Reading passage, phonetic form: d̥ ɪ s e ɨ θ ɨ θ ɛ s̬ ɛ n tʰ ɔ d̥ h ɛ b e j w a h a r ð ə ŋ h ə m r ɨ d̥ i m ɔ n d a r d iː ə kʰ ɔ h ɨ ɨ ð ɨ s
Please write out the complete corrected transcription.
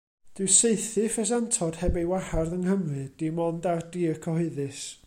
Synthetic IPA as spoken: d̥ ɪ s e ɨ θ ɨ f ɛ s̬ a n tʰ ɔ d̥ h ɛ b e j w a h a r ð ə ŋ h ə m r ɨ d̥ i m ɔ n d a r d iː ə kʰ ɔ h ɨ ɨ ð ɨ s